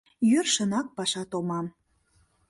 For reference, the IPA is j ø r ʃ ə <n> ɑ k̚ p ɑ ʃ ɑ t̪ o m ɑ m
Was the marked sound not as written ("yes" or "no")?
no